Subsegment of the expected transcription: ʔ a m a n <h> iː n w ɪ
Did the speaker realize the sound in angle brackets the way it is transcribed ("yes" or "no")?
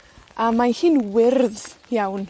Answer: yes